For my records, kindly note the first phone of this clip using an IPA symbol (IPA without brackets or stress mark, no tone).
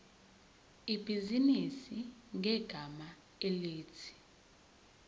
i